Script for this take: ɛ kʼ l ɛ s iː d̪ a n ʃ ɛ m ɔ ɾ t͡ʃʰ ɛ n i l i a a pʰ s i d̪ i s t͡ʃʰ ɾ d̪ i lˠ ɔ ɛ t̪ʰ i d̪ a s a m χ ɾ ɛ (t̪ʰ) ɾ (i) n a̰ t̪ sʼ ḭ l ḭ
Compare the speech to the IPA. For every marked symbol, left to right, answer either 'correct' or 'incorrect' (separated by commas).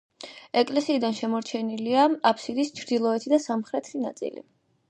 correct, correct